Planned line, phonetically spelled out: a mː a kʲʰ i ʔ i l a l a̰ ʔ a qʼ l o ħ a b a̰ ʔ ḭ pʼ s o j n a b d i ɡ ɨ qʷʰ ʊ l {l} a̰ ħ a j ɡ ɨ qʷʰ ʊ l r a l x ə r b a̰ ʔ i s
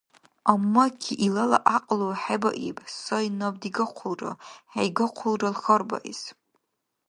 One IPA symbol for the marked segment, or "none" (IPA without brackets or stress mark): r